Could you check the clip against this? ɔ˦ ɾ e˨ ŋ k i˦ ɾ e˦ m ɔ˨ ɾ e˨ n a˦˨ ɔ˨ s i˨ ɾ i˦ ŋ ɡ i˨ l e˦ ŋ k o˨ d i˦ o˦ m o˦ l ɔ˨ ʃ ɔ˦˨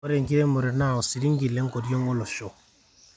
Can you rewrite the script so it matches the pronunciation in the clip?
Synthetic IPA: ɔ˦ ɾ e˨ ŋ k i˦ ɾ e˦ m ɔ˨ ɾ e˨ n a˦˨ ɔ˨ s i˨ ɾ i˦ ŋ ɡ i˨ l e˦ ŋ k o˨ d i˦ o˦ ŋ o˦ l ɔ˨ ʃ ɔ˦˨

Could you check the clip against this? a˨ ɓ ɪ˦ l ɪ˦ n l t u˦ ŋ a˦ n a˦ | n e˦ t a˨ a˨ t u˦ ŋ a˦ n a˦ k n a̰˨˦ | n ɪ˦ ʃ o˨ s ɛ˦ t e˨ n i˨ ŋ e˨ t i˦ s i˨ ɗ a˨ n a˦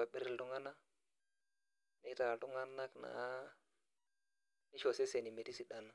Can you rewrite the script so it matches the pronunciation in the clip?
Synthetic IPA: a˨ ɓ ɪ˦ ɾ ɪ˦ l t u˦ ŋ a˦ n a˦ | n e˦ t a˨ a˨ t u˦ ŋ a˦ n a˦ k n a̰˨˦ | n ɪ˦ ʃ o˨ s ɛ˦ s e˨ n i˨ m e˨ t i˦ s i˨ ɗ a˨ n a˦

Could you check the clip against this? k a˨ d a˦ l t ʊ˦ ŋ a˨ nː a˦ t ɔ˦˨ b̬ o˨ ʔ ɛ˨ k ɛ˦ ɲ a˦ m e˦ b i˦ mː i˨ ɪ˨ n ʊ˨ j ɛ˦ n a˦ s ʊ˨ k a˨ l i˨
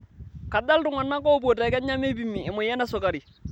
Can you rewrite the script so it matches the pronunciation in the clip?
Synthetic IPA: k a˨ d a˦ l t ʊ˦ ŋ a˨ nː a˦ k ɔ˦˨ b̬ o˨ t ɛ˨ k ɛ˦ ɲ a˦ m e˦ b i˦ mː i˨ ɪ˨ m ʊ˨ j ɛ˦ n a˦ s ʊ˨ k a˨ ɾ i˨

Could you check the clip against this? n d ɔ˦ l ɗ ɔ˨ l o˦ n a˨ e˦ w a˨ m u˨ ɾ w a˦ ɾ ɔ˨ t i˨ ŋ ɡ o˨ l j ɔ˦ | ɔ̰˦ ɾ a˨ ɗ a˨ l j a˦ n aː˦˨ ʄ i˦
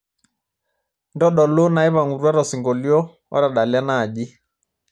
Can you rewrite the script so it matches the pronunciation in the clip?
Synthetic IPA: n d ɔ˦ ɗ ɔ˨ l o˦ n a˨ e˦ β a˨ ŋ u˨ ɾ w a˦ ɾ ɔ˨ s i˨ ŋ ɡ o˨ l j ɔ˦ | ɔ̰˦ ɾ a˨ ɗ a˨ l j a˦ n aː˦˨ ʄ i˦

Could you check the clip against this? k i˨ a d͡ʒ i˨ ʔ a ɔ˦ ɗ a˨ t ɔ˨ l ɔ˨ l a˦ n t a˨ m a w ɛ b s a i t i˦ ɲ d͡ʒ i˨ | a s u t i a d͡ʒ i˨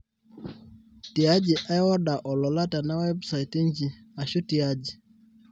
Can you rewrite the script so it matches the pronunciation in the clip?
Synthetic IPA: t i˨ a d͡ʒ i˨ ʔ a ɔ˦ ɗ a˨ ʔ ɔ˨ l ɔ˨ l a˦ t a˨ n a w ɛ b s a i t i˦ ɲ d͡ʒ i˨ | a ʃ u t i a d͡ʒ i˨

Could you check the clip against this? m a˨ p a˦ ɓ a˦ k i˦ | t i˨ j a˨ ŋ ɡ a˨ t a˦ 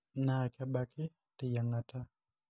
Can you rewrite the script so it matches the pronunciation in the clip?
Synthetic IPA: n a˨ k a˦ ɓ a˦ k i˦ | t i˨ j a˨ ŋ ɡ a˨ t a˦

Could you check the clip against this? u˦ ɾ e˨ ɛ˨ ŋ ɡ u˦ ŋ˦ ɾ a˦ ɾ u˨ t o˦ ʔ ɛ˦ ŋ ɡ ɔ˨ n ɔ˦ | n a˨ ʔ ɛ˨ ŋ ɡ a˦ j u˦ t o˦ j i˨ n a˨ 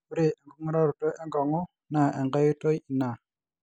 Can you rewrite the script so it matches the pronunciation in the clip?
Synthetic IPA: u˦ ɾ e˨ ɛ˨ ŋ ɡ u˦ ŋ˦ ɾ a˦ ɾ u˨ t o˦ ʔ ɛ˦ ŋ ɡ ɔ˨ ŋ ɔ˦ | n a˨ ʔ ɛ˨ ŋ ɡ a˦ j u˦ t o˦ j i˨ n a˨

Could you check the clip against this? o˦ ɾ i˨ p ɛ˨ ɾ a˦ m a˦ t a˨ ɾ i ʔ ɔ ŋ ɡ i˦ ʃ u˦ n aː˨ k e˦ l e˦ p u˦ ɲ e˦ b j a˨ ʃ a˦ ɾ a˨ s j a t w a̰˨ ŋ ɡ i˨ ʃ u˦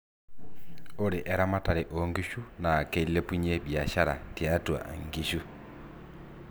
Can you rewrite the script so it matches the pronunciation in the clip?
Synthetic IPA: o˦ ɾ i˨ ʔ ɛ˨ ɾ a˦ m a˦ t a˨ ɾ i ʔ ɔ ŋ ɡ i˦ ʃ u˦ n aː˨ k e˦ l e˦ p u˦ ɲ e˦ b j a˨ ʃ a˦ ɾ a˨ t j a t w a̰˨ ŋ ɡ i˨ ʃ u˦

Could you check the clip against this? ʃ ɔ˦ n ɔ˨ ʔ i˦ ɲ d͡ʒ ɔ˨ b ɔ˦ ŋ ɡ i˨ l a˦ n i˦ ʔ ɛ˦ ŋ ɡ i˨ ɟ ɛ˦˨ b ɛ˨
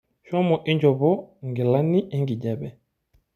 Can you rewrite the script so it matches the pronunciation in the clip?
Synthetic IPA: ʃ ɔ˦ m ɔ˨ ʔ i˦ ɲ d͡ʒ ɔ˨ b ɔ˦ ŋ ɡ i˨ l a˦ n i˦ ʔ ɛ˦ ŋ ɡ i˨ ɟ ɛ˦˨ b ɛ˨

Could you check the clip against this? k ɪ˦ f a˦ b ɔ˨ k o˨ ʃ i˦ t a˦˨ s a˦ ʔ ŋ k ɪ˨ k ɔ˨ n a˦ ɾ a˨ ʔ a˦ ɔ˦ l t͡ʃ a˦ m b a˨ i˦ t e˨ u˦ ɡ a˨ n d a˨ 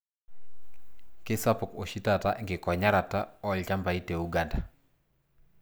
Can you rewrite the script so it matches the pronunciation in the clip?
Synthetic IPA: k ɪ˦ s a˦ p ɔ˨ k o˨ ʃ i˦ t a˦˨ t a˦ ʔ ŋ ɡ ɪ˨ k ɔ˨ ɲ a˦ ɾ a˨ t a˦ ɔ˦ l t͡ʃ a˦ m b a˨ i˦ t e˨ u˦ ɡ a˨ n d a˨

